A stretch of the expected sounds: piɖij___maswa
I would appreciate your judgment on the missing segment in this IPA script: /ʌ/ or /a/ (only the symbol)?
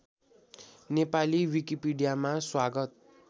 a